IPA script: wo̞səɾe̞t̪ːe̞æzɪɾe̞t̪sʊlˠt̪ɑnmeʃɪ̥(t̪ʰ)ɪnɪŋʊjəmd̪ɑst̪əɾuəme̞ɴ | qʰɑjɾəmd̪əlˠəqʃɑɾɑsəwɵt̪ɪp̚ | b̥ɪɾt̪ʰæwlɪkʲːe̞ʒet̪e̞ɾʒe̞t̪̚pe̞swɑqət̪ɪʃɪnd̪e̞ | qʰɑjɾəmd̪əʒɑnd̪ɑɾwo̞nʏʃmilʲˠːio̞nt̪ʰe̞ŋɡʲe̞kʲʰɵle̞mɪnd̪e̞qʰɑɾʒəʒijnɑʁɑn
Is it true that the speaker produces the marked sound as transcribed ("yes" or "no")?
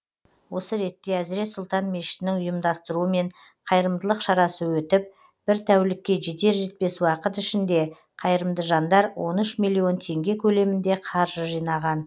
no